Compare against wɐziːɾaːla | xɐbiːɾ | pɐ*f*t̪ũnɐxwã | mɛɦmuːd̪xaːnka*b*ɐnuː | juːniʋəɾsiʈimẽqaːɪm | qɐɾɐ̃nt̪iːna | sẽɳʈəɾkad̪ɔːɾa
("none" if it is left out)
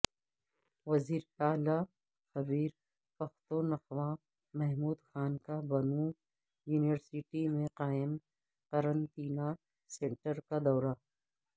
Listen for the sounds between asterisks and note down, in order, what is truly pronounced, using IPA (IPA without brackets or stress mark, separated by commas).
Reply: x, b